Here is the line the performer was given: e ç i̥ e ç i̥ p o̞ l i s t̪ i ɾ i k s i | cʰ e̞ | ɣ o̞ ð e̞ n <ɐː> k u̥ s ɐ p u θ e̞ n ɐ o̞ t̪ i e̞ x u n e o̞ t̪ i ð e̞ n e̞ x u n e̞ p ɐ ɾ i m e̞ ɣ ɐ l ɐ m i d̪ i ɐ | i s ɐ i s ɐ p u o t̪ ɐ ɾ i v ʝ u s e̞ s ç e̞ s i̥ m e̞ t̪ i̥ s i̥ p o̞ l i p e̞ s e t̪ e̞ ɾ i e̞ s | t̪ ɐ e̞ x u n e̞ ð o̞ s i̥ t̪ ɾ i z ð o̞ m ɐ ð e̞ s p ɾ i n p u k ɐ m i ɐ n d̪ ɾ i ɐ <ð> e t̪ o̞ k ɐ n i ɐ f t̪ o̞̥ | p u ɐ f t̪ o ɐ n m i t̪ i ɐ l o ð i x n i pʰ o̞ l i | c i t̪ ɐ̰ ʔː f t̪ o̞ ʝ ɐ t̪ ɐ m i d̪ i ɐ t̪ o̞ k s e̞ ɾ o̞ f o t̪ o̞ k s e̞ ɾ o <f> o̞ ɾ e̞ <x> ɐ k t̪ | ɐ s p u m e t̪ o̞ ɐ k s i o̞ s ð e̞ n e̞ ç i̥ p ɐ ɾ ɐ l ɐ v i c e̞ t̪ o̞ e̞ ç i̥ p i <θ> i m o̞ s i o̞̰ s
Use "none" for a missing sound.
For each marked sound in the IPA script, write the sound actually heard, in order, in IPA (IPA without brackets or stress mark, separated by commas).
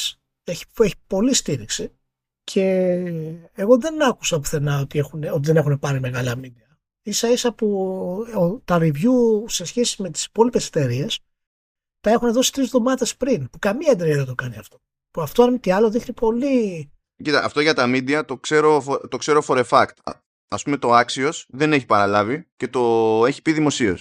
ɐ, ð, f, f, ð